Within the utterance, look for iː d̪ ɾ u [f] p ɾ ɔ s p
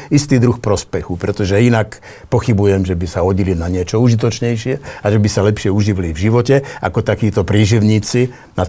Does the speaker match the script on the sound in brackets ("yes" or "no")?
no